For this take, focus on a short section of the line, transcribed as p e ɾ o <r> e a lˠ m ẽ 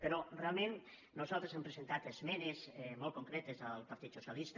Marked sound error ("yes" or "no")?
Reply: no